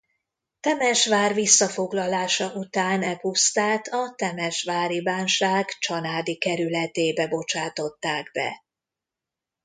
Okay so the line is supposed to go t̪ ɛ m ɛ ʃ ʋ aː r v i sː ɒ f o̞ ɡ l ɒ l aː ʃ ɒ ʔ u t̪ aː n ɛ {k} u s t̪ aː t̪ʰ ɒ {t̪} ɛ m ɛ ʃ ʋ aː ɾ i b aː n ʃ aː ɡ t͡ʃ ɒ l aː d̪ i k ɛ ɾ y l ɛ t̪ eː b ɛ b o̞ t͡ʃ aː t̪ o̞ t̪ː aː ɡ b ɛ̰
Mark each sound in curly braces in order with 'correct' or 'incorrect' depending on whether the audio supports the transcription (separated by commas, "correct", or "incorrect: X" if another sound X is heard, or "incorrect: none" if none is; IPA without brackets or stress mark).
incorrect: p, correct